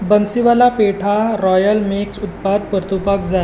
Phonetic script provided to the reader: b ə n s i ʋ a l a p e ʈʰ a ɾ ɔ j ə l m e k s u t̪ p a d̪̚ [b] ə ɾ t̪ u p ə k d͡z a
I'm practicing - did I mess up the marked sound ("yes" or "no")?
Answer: yes